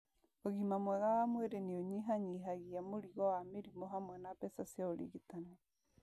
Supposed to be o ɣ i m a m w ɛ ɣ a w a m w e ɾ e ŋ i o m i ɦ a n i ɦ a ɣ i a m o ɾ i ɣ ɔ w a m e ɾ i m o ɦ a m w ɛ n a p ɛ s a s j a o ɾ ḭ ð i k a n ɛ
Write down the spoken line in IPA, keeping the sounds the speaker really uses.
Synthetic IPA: o ɣ i m a m w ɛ ɣ a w a m w e ɾ e n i o ɲ i ɦ a ɲ i ɦ a ɣ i a m o ɾ i ɣ ɔ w a m e ɾ i m o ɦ a m w ɛ n a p ɛ s a s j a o ɾ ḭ ɣ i t a n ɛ

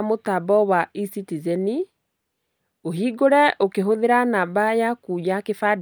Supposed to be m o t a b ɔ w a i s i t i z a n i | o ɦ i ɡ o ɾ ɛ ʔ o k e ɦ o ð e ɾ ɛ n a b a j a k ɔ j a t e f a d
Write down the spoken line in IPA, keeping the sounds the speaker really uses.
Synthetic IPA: m o t a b ɔ w a i s i t i z ɛ n i | o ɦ i ɡ o ɾ ɛ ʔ o k e ɦ o ð e ɾ a n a b a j a k u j a k e f a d

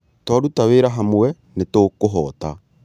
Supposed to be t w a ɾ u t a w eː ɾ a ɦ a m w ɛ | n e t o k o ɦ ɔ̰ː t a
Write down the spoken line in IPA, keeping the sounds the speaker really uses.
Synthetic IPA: t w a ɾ u t a w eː ɾ a ɦ a m w ɛ | n e t o k o ɦ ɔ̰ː t a

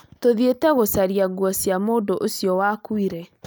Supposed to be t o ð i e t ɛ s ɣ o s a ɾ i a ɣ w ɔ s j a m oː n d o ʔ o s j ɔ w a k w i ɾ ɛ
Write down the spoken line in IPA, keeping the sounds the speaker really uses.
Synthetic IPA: t o ð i e t ɛ ɣ o s a ɾ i a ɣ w ɔ s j a m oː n d o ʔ o s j ɔ w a k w i ɾ ɛ

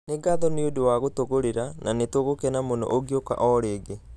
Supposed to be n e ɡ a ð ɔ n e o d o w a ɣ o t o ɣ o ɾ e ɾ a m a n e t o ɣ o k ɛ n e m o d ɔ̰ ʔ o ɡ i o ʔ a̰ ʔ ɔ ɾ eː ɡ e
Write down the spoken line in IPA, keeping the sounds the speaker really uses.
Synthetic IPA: n e ɡ a ð ɔ n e o d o w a ɣ o t o ɣ o ɾ e ɾ a n a n e t o ɣ o k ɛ n a m o n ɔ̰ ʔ o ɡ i o k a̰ ʔ ɔ ɾ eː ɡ e

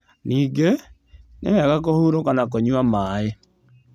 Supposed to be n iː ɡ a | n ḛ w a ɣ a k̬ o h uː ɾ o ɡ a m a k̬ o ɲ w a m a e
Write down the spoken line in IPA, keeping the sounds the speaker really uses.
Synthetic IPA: n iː ɡ e | n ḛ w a ɣ a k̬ o h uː ɾ o k a n a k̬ o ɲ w a m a e

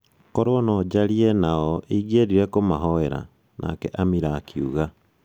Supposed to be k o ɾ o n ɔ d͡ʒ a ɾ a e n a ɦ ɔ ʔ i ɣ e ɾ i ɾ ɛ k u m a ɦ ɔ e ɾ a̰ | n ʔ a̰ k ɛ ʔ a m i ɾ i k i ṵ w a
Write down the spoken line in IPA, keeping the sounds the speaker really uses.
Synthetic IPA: k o ɾ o n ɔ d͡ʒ a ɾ i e n a ɔ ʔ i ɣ e ɾ i ɾ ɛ k o m a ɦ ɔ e ɾ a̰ | n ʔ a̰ k ɛ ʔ a m i ɾ a k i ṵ ɣ a

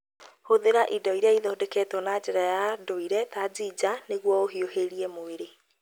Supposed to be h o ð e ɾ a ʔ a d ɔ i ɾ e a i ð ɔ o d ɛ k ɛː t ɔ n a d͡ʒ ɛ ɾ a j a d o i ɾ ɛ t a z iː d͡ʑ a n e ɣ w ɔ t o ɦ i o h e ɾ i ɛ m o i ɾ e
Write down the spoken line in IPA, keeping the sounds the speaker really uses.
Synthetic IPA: h o ð e ɾ a ʔ i d ɔ i ɾ e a i ð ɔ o d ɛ k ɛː t ɔ n a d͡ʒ ɛ ɾ a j a d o i ɾ ɛ t a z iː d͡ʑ a n e ɣ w ɔ o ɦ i o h e ɾ i ɛ m o e ɾ e

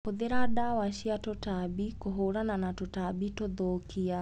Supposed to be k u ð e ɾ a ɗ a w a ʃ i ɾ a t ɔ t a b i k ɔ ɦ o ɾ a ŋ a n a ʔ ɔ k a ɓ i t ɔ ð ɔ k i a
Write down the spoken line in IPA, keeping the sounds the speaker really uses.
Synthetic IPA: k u ð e ɾ a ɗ a w a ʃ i a t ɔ t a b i k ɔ ɦ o ɾ a n a n a t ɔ t a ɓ i t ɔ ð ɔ k i a

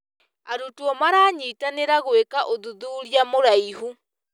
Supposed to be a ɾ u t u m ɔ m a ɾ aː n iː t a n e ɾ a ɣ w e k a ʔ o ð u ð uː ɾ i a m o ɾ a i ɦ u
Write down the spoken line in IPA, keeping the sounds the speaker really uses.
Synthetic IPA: a ɾ u t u ɔ m a ɾ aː ɲ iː t a n e ɾ a ɣ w e k a ʔ o ð u ð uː ɾ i a m o ɾ a i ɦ u

